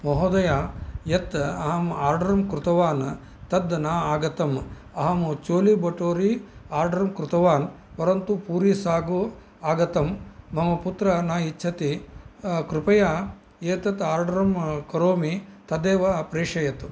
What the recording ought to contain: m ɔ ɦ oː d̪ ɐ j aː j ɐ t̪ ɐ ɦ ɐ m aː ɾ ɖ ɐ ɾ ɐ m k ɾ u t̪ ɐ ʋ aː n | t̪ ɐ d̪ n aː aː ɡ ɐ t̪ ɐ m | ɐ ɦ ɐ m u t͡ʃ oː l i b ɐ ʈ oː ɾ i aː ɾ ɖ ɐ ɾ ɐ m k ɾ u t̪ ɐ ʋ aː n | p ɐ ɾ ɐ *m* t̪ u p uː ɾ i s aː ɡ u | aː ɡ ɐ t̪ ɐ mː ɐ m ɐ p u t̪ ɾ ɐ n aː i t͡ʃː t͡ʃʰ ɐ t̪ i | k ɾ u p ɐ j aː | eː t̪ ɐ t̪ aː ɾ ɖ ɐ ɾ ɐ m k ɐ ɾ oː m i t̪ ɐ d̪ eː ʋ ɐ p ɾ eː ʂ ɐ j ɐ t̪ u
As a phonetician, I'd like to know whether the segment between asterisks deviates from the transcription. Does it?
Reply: yes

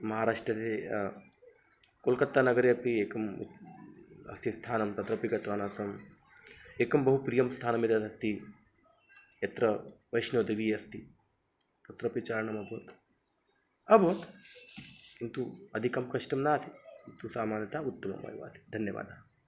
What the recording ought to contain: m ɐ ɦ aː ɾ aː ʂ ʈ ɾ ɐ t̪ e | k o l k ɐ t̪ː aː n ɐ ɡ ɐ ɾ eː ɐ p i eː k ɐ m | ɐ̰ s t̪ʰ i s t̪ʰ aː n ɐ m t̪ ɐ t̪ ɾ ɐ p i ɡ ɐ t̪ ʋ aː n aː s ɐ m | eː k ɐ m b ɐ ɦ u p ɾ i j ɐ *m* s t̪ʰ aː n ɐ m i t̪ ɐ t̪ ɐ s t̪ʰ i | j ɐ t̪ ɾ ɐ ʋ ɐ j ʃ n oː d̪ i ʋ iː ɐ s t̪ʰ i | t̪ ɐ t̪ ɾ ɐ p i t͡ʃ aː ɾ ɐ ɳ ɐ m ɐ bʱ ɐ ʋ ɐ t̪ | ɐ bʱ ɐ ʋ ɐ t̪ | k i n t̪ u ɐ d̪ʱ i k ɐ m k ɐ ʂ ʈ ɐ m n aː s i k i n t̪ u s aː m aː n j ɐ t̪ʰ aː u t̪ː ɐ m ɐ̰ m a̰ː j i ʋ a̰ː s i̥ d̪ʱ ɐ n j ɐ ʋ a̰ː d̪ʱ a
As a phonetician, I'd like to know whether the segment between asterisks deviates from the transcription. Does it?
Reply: no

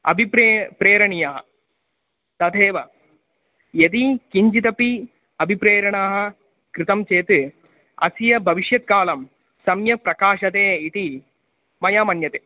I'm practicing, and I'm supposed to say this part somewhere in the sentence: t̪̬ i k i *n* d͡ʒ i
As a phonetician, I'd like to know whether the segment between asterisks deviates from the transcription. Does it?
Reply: yes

